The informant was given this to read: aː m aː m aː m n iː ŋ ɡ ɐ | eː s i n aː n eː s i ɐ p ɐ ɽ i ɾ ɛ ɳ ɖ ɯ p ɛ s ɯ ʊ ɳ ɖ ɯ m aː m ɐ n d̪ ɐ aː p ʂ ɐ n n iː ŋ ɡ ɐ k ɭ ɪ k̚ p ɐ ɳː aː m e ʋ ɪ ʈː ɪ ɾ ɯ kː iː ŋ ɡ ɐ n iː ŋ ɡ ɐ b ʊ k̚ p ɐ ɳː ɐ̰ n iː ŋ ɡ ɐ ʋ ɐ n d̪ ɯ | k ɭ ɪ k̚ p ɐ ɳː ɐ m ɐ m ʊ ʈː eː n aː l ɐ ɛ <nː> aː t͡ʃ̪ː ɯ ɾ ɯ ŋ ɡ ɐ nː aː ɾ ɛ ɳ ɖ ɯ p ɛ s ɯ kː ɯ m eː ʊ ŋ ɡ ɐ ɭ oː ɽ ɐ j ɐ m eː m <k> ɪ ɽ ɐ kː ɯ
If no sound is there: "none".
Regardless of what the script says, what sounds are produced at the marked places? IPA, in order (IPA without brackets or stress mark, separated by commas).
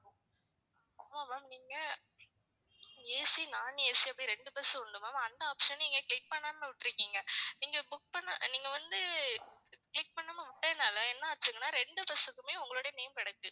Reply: nː, k